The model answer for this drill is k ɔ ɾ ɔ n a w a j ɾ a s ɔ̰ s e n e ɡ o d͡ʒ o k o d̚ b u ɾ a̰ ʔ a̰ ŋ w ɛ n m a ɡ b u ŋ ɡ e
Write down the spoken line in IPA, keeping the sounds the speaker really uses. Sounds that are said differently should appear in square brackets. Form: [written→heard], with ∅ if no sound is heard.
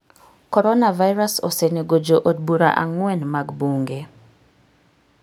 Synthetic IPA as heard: k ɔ ɾ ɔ n a [w→v] a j ɾ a s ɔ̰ s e n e ɡ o d͡ʒ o [k→ʔ] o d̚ b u ɾ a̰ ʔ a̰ ŋ w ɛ n m a ɡ b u ŋ ɡ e